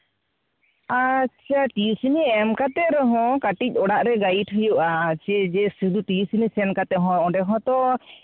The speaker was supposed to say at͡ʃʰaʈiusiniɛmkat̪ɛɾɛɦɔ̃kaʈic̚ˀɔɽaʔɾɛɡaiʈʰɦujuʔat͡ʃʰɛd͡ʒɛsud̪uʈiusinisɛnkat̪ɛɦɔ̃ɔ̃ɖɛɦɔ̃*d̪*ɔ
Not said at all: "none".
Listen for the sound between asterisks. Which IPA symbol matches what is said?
t̪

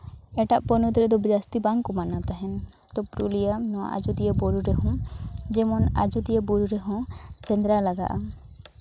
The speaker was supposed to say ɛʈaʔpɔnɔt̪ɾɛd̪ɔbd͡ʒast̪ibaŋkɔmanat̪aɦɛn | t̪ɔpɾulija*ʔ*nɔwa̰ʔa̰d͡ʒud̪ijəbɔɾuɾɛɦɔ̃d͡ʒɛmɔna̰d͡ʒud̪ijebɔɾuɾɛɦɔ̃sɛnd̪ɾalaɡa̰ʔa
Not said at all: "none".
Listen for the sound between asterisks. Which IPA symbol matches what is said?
none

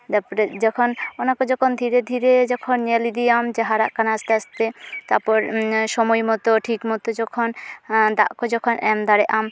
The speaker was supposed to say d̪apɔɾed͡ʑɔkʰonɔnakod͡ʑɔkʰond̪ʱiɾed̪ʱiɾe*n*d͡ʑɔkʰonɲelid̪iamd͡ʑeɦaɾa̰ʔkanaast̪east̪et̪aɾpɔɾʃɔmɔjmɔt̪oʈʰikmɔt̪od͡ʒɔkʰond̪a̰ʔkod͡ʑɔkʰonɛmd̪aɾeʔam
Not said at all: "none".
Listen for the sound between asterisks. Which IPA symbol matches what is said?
none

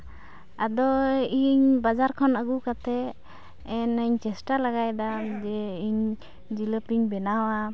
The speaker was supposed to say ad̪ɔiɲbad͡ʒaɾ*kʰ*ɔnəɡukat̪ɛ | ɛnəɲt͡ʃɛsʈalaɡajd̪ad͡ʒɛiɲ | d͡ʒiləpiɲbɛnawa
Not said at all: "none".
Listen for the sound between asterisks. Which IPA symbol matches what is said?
kʰ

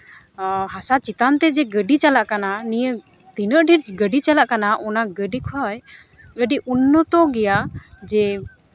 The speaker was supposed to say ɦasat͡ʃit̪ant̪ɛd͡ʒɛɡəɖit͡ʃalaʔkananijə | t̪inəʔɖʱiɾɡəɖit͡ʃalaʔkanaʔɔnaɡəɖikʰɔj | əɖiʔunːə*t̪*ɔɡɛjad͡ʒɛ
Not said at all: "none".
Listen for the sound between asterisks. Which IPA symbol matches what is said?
t̪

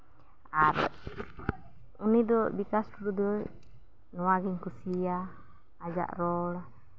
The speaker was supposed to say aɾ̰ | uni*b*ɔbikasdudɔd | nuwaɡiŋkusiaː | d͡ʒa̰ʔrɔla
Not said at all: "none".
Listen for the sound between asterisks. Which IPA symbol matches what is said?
d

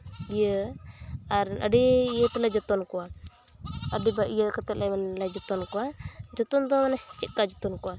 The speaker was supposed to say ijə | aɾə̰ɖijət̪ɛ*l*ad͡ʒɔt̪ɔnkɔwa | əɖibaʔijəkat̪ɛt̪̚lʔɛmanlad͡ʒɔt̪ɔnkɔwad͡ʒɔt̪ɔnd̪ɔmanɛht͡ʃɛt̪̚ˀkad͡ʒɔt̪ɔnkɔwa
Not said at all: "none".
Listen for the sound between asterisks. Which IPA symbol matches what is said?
l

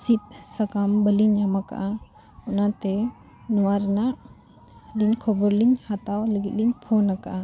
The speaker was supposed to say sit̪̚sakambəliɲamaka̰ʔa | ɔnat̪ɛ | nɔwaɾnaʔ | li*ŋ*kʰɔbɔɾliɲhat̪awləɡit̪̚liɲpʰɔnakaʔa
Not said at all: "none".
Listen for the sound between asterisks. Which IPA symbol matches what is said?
ɲ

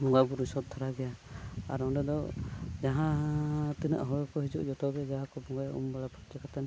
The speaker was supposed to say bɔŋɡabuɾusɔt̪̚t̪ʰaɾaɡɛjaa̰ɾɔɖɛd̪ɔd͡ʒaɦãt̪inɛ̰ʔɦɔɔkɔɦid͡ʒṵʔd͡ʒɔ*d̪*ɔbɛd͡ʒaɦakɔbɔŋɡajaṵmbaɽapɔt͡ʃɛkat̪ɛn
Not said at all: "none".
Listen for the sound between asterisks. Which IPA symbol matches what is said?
t̪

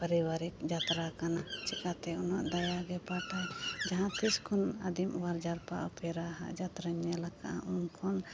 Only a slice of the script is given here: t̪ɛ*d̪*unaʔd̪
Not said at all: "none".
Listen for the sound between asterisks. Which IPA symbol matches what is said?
none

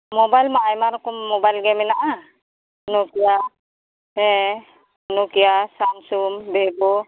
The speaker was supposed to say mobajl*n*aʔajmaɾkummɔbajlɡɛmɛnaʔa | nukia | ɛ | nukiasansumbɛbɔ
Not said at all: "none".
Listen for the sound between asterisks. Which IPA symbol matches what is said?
m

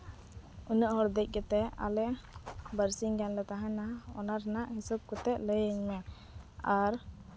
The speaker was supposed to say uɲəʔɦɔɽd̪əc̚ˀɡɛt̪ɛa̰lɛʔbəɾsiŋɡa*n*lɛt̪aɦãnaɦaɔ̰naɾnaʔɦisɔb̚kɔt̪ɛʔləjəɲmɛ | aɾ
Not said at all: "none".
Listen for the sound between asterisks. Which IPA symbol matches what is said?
n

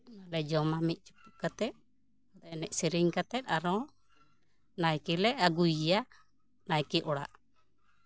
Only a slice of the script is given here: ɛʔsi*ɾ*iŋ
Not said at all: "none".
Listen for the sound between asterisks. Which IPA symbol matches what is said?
ɾ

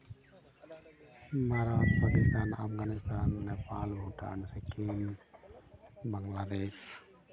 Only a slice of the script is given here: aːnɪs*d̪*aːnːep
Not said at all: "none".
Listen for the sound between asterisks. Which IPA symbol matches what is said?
t̪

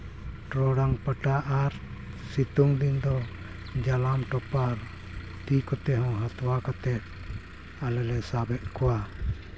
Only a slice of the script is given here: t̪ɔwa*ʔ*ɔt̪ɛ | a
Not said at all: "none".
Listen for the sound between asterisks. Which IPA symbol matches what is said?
k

